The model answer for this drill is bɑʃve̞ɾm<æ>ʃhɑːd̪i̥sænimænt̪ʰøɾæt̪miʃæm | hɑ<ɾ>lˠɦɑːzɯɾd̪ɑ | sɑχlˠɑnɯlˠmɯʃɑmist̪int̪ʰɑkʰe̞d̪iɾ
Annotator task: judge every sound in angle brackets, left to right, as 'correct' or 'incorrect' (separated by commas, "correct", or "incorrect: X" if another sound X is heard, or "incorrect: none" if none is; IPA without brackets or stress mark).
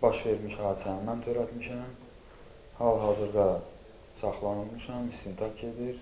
incorrect: i, incorrect: none